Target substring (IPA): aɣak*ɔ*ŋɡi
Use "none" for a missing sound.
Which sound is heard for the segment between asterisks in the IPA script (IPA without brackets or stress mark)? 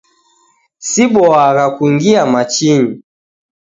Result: u